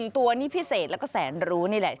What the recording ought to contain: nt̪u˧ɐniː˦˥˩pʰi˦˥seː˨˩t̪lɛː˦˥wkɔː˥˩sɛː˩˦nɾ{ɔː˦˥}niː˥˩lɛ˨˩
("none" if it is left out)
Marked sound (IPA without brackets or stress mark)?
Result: uː˦˥